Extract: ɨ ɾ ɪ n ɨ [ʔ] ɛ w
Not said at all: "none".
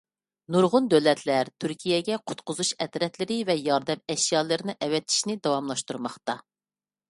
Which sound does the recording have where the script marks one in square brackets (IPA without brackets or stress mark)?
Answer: ʔ